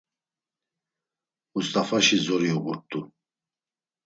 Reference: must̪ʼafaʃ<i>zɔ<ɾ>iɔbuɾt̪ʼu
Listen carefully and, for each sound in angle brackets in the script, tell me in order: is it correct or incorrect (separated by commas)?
correct, correct